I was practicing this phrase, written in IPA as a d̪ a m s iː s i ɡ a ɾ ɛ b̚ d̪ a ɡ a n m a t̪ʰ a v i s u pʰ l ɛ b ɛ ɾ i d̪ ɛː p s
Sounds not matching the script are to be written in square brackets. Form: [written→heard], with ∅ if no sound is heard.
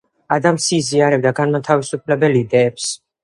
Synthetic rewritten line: a d̪ a m s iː [s→z] i [ɡ→∅] a ɾ ɛ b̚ d̪ a ɡ a n m a t̪ʰ a v i s u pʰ l ɛ b ɛ [ɾ→l] i d̪ ɛː p s